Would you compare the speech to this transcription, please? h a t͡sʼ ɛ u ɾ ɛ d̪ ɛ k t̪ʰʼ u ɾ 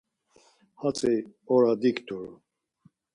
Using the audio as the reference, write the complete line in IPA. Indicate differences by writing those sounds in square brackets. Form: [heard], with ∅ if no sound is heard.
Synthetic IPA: h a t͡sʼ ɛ [ɔ] ɾ [a] d̪ [i] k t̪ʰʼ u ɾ